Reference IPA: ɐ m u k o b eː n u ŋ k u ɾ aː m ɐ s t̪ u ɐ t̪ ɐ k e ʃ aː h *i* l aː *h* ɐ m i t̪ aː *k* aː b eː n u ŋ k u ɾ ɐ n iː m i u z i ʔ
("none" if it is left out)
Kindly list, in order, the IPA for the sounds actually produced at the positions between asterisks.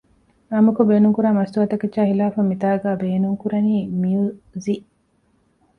i, f, ɡ

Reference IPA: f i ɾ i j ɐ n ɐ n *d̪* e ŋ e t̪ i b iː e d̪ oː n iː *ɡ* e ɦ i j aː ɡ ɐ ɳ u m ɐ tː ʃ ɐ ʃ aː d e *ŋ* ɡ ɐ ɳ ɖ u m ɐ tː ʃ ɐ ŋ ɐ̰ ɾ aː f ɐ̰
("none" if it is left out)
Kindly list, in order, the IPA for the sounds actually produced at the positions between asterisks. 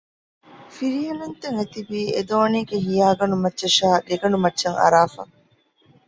t̪, ɡ, none

